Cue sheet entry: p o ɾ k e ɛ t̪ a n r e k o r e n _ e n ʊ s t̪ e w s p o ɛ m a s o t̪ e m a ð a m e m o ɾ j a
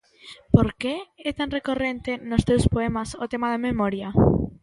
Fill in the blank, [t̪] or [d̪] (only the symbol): t̪